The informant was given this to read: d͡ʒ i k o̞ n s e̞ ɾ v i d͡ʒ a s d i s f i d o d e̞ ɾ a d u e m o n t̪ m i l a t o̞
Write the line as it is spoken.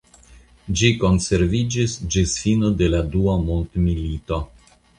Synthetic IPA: d͡ʒ i k o̞ n s e̞ ɾ v i d͡ʒ i s d͡ʒ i s f i n o d e̞ l a d u a m o n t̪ m i l i t o̞